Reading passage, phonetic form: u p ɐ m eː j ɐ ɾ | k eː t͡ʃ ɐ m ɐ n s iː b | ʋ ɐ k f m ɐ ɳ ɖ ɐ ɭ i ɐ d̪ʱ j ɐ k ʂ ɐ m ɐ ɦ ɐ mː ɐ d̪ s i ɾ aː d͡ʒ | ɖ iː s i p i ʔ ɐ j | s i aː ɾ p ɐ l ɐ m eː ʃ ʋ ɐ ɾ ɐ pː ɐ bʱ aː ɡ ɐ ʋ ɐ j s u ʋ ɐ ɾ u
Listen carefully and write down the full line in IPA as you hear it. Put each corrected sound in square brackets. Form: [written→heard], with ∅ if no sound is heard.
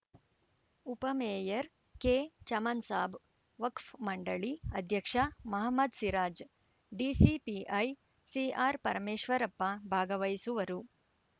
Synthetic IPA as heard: u p ɐ m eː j ɐ ɾ | k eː t͡ʃ ɐ m ɐ n s [iː→aː] b | ʋ ɐ k f m ɐ ɳ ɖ ɐ ɭ i ɐ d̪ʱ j ɐ k ʂ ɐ m ɐ ɦ ɐ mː ɐ d̪ s i ɾ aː d͡ʒ | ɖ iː s i p i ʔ ɐ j | s i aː ɾ p ɐ [l→ɾ] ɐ m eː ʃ ʋ ɐ ɾ ɐ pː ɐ bʱ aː ɡ ɐ ʋ ɐ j s u ʋ ɐ ɾ u